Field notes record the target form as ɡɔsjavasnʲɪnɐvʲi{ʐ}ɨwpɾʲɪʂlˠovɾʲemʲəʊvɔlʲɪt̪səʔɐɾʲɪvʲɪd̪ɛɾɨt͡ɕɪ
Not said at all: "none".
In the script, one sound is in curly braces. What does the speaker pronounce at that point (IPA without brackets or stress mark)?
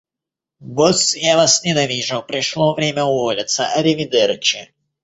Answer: ʐ